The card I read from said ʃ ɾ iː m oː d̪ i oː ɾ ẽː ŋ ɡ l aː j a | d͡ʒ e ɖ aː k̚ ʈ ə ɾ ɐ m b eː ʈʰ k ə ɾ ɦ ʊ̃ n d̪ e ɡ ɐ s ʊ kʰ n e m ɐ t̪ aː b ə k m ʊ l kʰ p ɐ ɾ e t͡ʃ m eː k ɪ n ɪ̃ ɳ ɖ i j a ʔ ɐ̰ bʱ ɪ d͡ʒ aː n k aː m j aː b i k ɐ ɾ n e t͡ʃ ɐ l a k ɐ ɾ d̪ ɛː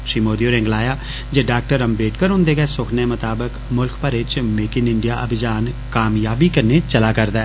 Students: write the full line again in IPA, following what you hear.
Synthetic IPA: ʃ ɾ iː m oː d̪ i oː ɾ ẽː ŋ ɡ l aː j a | d͡ʒ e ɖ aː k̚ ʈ ə ɾ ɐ m b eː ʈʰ k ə ɾ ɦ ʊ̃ n d̪ e ɡ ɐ s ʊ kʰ n e m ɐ t̪ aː b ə k m ʊ l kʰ p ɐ ɾ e t͡ʃ m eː k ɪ n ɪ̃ ɳ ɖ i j a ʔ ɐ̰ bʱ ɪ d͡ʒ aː n k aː m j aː b i k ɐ ɾ n e t͡ʃ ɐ l a k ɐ ɾ d̪ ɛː